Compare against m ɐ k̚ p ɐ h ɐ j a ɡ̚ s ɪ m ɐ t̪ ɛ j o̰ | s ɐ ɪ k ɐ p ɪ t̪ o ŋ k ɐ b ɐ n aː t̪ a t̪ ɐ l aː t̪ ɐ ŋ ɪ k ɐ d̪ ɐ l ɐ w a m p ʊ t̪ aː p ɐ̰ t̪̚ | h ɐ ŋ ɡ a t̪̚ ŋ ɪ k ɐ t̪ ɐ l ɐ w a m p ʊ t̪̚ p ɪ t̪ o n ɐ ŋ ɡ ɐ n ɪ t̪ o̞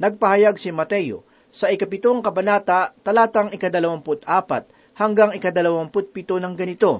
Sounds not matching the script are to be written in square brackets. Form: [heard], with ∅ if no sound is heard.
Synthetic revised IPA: [n] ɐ [ɡ̚] p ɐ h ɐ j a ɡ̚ s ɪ m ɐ t̪ ɛ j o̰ | s ɐ ɪ k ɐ p ɪ t̪ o ŋ k ɐ b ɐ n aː t̪ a t̪ ɐ l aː t̪ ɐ ŋ ɪ k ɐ d̪ ɐ l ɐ w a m p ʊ t̪ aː p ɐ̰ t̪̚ | h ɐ ŋ ɡ a [∅] ŋ ɪ k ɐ [d̪] ɐ l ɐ w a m p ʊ t̪̚ p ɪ t̪ o n ɐ ŋ ɡ ɐ n ɪ t̪ o̞